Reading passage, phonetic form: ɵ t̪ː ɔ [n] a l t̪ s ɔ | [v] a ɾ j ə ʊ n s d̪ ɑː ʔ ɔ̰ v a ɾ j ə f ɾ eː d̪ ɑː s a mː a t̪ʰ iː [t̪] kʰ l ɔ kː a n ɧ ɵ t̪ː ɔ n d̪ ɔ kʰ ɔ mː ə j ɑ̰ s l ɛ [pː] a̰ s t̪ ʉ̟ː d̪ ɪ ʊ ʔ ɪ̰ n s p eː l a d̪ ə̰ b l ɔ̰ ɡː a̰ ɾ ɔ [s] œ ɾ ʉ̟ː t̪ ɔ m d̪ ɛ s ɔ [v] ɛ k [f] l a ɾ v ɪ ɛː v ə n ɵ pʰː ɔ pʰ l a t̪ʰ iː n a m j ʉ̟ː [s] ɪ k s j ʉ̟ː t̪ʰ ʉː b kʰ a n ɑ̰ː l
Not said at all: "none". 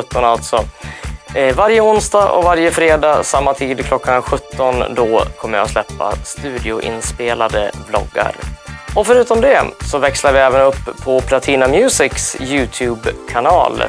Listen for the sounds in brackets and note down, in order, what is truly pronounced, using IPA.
n, v, d̪, pː, f, v, s, s

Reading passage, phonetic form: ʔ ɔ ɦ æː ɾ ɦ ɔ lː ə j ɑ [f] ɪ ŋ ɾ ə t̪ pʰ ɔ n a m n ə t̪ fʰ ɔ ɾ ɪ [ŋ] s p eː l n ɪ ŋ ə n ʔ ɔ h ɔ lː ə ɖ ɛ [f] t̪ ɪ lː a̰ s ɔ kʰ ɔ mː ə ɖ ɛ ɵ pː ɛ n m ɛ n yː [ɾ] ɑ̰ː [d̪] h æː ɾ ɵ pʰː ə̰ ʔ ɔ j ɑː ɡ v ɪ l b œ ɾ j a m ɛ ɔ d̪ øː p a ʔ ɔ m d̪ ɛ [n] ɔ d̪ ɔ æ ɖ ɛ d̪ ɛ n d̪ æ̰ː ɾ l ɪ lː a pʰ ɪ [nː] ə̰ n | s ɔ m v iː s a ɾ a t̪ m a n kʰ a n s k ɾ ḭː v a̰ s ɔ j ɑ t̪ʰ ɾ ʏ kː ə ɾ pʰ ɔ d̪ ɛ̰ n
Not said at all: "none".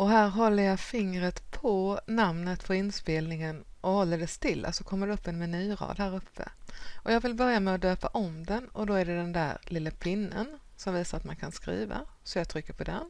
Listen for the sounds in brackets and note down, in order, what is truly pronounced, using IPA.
f, n, s, ɾ, d̪, n, nː

